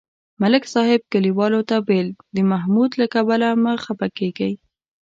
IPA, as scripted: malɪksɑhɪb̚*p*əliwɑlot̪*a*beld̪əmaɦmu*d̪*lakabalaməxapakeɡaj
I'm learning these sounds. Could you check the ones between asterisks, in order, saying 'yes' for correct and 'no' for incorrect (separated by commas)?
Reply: no, yes, yes